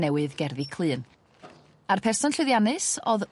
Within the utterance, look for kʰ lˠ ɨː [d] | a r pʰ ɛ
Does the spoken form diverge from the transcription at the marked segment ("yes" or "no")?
yes